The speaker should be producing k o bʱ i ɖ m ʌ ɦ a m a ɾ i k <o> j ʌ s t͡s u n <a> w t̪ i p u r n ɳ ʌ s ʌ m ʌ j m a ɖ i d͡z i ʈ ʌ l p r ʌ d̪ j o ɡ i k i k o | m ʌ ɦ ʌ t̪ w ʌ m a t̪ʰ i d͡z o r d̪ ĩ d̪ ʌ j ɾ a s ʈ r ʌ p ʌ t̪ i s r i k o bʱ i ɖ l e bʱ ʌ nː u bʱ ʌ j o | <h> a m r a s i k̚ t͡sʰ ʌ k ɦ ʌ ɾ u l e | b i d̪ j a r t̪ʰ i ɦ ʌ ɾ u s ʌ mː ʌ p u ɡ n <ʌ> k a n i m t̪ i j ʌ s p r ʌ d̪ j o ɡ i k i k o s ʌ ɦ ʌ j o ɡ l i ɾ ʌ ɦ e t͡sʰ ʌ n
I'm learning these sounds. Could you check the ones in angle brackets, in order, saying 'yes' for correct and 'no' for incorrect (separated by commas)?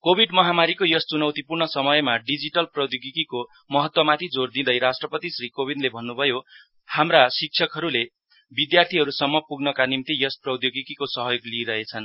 yes, no, yes, yes